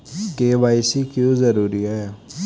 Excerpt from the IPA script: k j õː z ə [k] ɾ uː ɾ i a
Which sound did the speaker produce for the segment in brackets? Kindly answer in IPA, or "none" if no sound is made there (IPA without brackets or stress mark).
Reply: none